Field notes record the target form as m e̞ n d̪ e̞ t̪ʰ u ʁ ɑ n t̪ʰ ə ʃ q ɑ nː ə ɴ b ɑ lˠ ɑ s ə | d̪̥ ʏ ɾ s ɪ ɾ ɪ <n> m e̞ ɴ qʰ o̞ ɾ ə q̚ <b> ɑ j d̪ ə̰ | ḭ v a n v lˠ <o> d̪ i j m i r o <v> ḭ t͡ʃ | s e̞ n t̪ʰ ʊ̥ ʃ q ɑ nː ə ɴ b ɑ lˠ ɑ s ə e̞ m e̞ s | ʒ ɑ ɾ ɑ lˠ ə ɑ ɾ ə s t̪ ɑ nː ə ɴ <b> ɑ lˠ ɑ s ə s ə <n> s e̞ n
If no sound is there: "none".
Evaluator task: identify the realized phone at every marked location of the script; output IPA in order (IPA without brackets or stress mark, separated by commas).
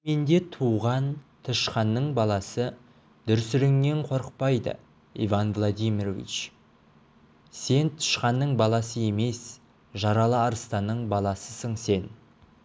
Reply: ŋ, p, o, v, b, ɴ